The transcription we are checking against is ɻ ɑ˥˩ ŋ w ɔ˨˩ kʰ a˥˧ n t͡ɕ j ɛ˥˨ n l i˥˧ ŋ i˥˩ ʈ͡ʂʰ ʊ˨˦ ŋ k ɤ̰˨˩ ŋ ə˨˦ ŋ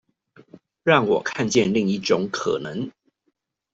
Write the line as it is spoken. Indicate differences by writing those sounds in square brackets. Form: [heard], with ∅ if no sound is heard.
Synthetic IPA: ɻ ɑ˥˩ ŋ w ɔ˨˩ kʰ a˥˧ n t͡ɕ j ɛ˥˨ n l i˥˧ ŋ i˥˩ [ʈ͡ʂ] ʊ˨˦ ŋ [kʰ] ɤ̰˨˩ [n] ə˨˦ ŋ